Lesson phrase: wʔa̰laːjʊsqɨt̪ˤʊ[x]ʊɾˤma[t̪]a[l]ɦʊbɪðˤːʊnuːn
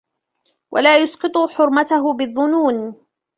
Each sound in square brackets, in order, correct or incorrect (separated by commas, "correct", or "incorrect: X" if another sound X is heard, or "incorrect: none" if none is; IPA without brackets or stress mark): incorrect: ħ, correct, incorrect: none